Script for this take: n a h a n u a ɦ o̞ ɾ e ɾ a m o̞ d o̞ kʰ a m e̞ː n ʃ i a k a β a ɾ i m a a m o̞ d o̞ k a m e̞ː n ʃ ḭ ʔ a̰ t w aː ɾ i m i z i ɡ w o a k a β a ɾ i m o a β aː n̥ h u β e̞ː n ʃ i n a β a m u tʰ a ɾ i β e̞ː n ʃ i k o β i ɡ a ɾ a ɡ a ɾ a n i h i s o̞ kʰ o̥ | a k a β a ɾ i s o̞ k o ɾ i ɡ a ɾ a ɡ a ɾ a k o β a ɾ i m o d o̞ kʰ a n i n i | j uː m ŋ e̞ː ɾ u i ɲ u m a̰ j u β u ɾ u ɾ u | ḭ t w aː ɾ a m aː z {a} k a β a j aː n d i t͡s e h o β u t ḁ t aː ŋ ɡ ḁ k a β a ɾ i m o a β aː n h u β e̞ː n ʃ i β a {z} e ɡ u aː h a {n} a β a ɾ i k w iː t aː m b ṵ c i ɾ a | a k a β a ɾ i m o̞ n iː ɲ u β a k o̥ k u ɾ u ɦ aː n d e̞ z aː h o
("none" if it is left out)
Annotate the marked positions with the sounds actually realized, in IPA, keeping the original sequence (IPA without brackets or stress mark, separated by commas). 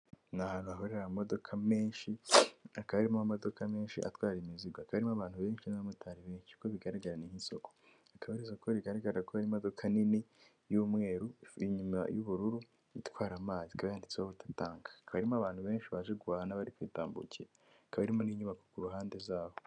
i, ʒ, n